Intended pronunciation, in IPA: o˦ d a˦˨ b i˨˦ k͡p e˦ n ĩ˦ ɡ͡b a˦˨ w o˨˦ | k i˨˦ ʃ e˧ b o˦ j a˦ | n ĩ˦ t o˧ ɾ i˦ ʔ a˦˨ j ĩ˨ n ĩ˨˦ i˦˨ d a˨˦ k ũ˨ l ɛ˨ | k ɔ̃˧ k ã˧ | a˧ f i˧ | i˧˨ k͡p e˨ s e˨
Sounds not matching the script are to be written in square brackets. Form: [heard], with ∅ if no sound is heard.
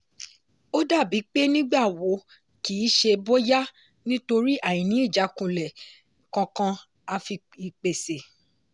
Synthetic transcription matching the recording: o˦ d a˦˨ b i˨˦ k͡p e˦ n ĩ˦ ɡ͡b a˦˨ w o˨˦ | k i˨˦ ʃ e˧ b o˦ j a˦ | n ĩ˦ t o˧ ɾ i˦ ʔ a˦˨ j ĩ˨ n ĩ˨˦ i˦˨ [d͡ʒ] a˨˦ k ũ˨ l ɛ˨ | k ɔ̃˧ k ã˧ | a˧ f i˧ | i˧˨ k͡p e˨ s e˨